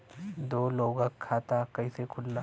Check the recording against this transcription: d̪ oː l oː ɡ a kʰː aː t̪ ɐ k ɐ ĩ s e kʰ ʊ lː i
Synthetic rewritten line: d̪ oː l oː ɡ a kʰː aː t̪ a k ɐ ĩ s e kʰ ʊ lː a

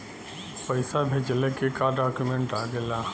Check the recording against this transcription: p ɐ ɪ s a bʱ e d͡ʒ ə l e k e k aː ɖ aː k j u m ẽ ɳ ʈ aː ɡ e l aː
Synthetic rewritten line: p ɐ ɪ s a bʱ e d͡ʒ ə l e k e k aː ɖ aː k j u m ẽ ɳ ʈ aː ɡ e l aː

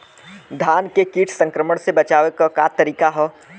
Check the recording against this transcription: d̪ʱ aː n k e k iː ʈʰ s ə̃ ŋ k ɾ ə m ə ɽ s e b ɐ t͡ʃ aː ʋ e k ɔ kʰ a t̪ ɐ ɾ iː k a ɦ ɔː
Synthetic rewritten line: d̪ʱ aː n k e k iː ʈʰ s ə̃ ŋ k ɾ ə m ə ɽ s e b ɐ t͡ʃ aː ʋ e k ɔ k a t̪ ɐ ɾ iː k a ɦ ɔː

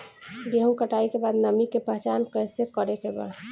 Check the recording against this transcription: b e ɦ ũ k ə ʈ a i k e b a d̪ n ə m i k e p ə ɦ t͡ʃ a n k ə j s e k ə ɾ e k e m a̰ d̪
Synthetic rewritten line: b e ɦ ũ k ə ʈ a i k e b a d̪ n ə m i k e p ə ɦ t͡ʃ a n k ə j s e k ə ɾ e k e b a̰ d̪

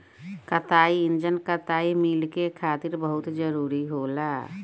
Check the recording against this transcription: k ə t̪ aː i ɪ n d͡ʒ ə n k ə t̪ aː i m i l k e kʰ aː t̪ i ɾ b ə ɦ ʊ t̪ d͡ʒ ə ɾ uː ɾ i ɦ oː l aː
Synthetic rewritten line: k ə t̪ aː i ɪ n d͡ʒ ə n k ə t̪ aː i m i l k e kʰ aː t̪ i ɾ b ə ɦ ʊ t̪ d͡ʒ ə ɾ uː ɾ i ɦ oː l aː

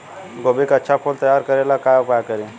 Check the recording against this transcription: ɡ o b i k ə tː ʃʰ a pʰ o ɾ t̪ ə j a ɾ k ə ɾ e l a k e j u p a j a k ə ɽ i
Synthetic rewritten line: ɡ o b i k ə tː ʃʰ a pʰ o l t̪ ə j a ɾ k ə ɾ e l a k a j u p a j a k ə ɾ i

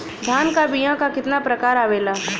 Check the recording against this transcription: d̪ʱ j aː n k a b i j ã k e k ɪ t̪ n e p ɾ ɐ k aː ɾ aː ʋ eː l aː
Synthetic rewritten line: d̪ʱ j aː n k a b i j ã k a k ɪ t̪ n a p ɾ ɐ k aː ɾ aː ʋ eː l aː

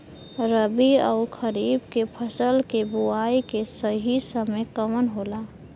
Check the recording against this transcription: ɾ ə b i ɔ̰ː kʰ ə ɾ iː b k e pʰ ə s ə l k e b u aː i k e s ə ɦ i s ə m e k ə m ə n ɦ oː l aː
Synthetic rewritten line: ɾ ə b i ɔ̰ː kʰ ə ɾ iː b k e pʰ ə s ə l k e b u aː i k e s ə ɦ i s ə m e k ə m ə n ɦ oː l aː

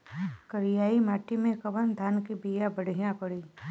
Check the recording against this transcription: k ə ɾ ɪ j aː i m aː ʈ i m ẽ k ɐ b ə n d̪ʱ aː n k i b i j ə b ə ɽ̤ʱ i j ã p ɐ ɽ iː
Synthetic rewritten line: k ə ɾ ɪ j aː i m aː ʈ i m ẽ k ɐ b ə n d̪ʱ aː n k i b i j a b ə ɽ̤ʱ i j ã p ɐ ɽ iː

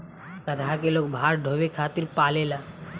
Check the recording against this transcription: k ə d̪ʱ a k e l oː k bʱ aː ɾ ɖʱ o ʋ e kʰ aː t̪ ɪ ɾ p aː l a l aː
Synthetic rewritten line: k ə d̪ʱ a k e l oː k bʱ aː ɾ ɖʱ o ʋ e kʰ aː t̪ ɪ ɾ p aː l e l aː

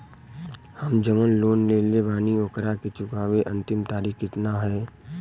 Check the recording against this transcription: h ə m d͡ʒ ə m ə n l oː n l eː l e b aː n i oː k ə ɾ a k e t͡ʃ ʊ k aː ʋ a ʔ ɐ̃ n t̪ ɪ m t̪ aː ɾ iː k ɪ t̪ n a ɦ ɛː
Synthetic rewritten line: h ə m d͡ʒ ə m ə n l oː n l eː l e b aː n i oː k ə ɾ a k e t͡ʃ ʊ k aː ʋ e ʔ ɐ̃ n t̪ ɪ m t̪ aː ɾ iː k ɪ t̪ n a ɦ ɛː

